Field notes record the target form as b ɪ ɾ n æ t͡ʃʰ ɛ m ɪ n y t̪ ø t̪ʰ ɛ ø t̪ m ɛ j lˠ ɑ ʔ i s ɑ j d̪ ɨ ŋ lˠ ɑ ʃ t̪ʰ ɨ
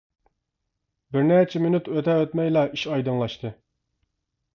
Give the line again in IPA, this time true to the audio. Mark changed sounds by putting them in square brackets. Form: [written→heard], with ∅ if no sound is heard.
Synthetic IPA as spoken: b ɪ ɾ n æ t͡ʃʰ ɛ m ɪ n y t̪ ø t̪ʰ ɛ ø t̪ m ɛ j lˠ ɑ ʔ i [s→ʃ] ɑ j d̪ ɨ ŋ lˠ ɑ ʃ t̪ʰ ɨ